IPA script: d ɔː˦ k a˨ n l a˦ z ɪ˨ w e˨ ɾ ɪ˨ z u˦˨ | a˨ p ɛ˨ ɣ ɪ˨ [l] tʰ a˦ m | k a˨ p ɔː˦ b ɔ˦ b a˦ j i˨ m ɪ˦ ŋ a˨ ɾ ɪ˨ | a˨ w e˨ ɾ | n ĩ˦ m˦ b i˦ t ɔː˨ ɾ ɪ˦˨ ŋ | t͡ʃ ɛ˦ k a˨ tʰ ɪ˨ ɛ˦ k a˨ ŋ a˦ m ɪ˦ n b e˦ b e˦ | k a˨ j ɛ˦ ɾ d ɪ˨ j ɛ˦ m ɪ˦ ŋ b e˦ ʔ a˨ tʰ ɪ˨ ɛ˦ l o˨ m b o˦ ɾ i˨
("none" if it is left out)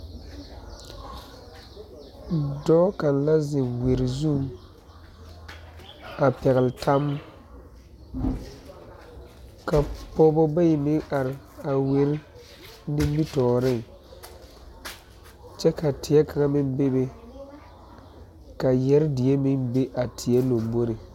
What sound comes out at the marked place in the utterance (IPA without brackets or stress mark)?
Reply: l